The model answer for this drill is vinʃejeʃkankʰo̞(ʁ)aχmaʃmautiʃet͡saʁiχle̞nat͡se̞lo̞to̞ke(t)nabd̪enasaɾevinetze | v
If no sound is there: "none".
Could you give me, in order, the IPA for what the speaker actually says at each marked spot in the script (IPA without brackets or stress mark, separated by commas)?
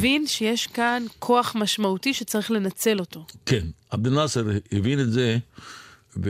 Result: none, none